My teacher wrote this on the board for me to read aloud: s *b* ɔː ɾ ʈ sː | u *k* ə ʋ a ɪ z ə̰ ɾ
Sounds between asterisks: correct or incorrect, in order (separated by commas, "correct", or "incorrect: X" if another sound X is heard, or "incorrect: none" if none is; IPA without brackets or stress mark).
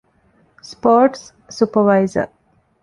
incorrect: p, incorrect: p